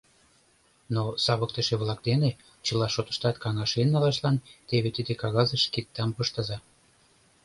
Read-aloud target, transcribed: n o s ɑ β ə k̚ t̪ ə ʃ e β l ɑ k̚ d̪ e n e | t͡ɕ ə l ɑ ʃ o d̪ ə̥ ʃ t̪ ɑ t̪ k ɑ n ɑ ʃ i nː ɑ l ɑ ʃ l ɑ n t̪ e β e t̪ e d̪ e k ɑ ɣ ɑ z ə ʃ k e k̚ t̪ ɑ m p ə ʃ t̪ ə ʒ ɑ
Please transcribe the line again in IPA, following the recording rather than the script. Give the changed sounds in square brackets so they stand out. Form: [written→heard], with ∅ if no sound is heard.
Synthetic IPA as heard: n o s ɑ β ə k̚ t̪ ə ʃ e β l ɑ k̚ d̪ e n e | t͡ɕ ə l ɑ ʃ o [d̪→t̪] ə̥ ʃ t̪ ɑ t̪ k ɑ [n→ŋ] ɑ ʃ [i→e] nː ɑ l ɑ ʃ l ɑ n t̪ e β e t̪ [e→i] d̪ e k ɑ ɣ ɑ z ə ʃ k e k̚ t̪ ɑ m p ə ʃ t̪ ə [ʒ→z] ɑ